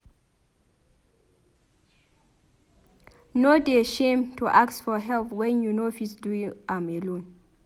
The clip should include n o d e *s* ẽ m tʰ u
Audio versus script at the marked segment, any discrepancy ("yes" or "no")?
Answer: yes